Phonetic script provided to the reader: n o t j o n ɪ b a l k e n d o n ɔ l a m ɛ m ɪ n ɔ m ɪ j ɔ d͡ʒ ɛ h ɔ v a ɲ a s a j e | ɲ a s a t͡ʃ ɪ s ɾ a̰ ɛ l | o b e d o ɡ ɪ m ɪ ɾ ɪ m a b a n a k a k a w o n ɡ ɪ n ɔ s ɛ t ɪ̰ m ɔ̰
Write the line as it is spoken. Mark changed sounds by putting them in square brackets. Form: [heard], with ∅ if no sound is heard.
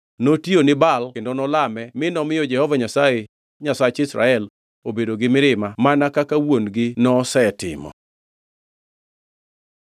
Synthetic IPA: n o t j o n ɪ b a l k e n d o n ɔ l a m ɛ m ɪ n ɔ m ɪ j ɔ d͡ʒ ɛ h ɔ v a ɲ a s a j e | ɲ a s a t͡ʃ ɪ s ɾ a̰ ɛ l | o b e d o ɡ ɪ m ɪ ɾ ɪ m a [m] a n a k a k a w o n ɡ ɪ n ɔ s ɛ t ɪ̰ m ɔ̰